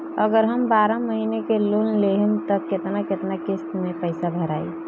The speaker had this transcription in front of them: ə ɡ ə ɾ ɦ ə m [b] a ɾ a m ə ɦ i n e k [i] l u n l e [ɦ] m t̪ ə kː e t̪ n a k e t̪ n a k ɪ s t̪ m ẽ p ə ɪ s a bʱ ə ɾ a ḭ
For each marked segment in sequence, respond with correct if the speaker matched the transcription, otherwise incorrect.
correct, incorrect, correct

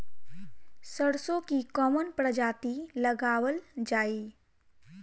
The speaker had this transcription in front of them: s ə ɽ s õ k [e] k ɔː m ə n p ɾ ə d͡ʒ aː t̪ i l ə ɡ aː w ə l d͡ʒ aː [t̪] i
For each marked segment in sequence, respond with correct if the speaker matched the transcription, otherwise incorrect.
incorrect, incorrect

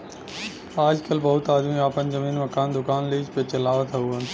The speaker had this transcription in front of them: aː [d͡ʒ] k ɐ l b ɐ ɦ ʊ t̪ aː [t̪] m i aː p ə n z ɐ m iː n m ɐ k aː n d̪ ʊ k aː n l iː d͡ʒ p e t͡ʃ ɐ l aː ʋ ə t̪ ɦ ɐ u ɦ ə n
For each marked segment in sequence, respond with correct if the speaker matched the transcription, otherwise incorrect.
correct, incorrect

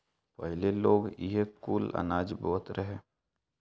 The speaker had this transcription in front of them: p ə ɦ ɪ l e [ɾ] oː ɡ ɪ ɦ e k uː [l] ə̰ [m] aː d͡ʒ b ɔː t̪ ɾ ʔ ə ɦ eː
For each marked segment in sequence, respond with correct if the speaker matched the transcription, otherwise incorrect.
incorrect, correct, incorrect

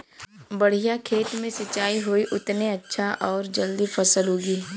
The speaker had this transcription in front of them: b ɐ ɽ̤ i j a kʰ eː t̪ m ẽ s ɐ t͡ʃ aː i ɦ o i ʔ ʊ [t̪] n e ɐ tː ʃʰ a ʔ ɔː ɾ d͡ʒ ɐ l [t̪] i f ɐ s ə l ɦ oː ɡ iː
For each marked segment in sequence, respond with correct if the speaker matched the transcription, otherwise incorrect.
correct, incorrect

